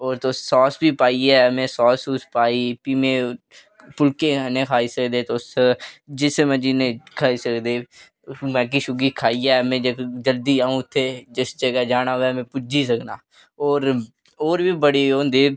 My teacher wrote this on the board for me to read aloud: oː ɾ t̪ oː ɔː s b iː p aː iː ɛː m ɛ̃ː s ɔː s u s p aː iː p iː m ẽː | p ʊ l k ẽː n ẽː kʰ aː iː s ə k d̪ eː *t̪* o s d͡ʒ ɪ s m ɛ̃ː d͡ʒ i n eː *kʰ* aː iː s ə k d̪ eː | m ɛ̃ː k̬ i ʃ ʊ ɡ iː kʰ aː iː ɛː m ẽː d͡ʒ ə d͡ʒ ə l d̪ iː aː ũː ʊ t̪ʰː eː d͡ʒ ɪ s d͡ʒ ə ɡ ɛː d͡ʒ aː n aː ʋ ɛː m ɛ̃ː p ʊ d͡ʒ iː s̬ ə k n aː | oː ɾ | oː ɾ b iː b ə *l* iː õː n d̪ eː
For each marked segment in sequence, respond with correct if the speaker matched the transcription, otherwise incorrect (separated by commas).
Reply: correct, correct, incorrect